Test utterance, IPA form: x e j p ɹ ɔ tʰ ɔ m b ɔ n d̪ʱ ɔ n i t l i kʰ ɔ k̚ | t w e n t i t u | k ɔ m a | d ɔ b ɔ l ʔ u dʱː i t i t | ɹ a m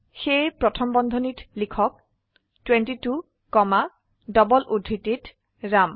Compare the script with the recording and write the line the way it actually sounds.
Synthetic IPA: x e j p ɹ ɔ tʰ ɔ m b ɔ n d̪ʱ ɔ n i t l i kʰ ɔ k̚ | t w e n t i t u | k ɔ m a | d ɔ b ɔ l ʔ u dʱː i t i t | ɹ a m

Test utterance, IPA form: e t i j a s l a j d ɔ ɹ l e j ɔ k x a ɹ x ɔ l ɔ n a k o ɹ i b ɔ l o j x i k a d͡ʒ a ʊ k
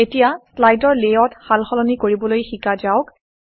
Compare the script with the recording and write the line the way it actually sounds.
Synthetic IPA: e t i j a s l a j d ɔ ɹ l e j ɔ t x a l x ɔ l ɔ n i k o ɹ i b ɔ l o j x i k a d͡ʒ a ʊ k

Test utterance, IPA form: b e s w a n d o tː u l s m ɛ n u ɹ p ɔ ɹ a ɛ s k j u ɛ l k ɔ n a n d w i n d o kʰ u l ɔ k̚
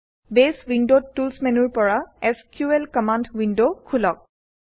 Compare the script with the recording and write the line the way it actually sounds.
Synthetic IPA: b e s w i n d o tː u l s m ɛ n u ɹ p ɔ ɹ a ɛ s k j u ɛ l k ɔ m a n d w i n d o kʰ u l ɔ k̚

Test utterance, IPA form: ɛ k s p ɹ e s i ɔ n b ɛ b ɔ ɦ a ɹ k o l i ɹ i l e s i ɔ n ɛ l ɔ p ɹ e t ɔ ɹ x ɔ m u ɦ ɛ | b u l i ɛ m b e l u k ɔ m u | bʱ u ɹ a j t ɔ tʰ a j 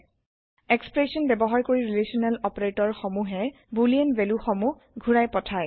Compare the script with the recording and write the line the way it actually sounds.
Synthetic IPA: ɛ k s p ɹ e s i ɔ n b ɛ b ɔ ɦ a ɹ k o ɹ i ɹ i l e s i ɔ n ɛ l ɔ p ɹ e t ɔ ɹ x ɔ m u ɦ ɛ | b u l i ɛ n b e l u x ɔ m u | ɡʱ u ɹ a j p ɔ tʰ a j

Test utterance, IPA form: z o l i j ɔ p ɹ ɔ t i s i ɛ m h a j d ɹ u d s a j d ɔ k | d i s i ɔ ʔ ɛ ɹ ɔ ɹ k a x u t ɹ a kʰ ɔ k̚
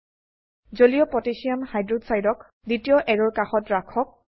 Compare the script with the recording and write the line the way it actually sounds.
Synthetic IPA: z o l i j ɔ p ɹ ɔ t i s i a m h a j d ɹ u d s a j d ɔ k | d i t i ɔ ʔ ɛ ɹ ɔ ɹ k a x ɔ t ɹ a kʰ ɔ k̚

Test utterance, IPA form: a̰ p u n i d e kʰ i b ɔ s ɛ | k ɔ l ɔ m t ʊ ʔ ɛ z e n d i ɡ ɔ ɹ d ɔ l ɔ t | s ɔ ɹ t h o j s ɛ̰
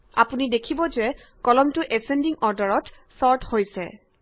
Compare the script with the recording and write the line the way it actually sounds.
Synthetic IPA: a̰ p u n i d e kʰ i b ɔ z ɛ | k ɔ l ɔ m t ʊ ʔ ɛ s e n d i ŋ ɔ ɹ d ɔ ɹ ɔ t | s ɔ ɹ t h o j s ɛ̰

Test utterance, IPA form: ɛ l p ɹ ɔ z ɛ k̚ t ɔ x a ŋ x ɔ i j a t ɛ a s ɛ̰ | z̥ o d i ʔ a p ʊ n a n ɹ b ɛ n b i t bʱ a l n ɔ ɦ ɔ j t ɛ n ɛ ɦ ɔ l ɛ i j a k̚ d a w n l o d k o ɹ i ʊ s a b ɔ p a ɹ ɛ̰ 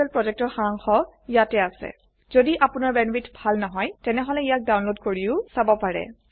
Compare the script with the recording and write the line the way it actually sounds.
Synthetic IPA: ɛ l p ɹ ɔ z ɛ k̚ t ɔ x a ŋ x ɔ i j a t ɛ a s ɛ̰ | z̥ o d i ʔ a p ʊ n a ɹ b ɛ n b i t bʱ a l n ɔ ɦ ɔ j t ɛ n ɛ ɦ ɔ l ɛ i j a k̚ d a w n l o d k o ɹ i ʊ s a b ɔ p a ɹ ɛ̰

